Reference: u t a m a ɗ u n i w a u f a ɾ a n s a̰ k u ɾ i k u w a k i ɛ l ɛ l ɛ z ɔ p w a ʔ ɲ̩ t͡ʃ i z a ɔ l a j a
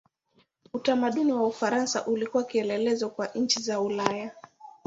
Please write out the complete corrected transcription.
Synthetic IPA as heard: u t a m a ɗ u n i w a u f a ɾ a n s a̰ ʔ u l i k u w a k i ɛ l ɛ l ɛ z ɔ k w a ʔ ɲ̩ t͡ʃ i z a u l a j a